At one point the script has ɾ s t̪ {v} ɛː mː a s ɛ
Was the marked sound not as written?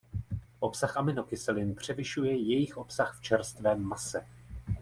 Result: no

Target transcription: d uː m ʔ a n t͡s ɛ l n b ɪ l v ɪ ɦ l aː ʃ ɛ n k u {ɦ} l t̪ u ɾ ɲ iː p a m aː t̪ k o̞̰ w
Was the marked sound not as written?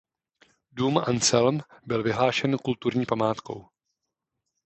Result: yes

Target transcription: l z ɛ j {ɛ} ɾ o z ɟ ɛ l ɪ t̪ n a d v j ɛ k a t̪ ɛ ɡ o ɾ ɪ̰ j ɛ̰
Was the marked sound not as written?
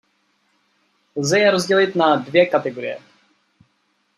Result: no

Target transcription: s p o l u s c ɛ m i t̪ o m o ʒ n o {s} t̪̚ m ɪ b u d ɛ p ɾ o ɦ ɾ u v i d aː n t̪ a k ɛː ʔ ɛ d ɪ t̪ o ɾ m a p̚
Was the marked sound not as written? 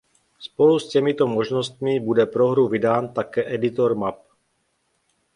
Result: no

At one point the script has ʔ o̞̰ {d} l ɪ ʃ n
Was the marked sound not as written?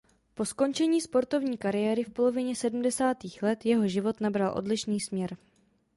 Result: no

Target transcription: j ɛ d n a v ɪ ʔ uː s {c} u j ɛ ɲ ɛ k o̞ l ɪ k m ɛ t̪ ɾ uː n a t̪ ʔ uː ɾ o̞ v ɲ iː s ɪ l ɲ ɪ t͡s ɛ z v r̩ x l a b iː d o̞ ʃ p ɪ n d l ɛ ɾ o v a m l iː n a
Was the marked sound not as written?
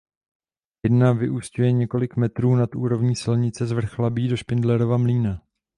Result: no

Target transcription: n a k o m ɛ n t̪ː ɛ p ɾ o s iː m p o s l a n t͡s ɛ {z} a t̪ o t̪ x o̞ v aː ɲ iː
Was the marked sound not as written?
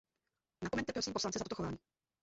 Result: no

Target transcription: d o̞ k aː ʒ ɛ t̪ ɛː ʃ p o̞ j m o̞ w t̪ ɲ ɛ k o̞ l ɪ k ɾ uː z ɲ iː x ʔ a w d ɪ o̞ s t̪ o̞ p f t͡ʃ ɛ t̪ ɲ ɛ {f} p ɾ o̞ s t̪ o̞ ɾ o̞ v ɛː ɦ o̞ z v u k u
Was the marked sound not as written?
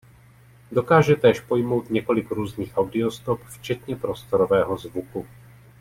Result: yes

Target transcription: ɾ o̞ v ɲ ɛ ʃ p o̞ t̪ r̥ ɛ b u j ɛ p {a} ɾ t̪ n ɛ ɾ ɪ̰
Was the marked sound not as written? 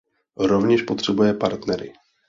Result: no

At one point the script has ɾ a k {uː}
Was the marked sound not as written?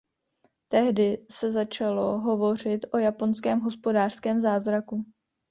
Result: yes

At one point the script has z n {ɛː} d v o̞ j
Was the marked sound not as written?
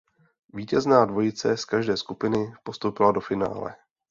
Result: yes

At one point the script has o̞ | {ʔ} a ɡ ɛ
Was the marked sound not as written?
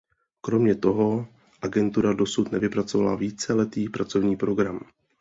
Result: no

